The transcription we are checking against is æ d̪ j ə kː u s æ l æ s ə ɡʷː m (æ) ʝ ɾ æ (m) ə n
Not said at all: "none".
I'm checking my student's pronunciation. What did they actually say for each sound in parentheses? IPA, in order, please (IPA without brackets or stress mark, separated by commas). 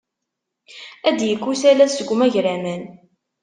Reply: æ, m